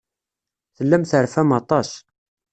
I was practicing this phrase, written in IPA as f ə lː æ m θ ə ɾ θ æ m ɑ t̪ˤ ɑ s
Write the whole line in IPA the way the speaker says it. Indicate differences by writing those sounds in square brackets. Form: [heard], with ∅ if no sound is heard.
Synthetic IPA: [θ] ə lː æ m θ ə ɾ [f] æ m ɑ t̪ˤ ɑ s